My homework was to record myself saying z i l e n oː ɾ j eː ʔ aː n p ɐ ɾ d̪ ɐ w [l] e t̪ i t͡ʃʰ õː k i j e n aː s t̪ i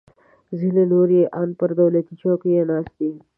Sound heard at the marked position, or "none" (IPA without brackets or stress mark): l